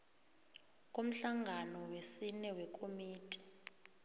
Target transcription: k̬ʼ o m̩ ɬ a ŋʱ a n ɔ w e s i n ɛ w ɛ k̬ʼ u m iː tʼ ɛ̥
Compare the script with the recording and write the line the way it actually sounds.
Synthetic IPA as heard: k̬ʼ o m̩ ɬ a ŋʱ a n ɔ w e s i n ɛ w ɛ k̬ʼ o m iː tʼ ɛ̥